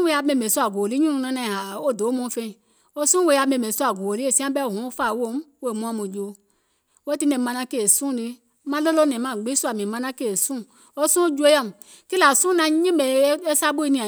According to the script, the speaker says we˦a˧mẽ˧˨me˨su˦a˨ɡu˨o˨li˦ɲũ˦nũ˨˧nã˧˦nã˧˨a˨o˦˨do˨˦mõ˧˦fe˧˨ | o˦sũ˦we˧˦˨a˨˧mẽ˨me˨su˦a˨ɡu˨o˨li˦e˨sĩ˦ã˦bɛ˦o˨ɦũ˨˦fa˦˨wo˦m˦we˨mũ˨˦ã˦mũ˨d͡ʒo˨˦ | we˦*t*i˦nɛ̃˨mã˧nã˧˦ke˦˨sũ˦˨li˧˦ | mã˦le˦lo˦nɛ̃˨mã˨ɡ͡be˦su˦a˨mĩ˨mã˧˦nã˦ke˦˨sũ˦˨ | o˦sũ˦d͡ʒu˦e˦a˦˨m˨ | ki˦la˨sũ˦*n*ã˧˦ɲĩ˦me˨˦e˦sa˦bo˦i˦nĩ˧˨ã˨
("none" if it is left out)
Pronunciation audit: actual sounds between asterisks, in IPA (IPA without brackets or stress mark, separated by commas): t, n